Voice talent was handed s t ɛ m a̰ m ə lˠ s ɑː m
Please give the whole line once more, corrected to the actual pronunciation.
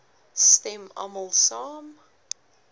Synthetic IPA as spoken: s t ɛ m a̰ m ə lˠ s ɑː m